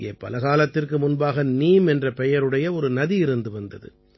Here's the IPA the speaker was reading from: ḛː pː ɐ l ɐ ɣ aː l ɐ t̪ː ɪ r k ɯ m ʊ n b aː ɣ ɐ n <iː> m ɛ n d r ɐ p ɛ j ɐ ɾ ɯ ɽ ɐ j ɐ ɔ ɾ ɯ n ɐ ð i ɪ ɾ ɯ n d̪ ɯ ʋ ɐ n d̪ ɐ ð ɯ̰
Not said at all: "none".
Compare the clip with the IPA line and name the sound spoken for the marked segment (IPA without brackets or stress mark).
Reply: iː